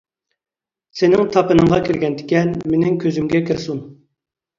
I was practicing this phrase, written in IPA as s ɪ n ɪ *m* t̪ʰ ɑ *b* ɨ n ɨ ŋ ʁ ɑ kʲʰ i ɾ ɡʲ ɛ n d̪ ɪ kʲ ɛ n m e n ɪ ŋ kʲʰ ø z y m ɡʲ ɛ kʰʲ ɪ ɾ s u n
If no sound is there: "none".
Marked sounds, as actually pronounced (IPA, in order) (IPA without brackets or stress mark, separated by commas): ŋ, p